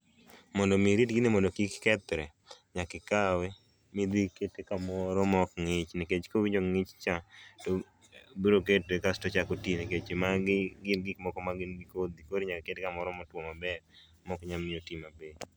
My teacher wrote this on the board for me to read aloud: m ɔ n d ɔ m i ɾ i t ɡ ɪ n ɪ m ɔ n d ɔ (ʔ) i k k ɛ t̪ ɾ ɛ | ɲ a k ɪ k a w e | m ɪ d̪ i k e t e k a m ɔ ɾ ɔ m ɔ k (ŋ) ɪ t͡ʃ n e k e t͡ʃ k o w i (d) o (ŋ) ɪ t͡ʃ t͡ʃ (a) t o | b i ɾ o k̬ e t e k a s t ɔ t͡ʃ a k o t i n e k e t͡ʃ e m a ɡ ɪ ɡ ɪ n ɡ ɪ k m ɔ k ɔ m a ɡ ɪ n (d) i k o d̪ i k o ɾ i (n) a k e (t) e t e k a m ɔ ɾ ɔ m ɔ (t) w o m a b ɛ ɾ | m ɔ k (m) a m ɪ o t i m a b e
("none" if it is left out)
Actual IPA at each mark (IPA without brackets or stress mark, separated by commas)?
k, ŋ, d͡ʒ, ŋ, a, ɡ, ɲ, k, t, ɲ